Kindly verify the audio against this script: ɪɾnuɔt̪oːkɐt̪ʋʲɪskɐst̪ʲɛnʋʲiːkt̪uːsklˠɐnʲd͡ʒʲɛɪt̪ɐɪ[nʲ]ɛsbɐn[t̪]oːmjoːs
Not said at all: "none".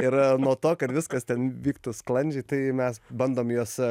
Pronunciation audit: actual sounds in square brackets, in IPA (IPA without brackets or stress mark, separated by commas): mʲ, d̪